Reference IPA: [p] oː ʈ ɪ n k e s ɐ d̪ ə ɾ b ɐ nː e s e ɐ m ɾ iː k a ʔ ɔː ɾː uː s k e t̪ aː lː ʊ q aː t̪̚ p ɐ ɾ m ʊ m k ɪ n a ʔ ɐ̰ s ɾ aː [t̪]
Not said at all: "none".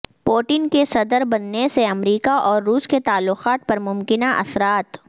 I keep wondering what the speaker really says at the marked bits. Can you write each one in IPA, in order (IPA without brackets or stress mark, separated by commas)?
p, t̪